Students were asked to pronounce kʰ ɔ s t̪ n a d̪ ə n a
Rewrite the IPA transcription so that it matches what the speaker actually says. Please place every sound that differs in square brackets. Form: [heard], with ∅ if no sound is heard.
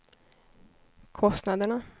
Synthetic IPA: kʰ ɔ s t̪ n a d̪ ə [ɳ] a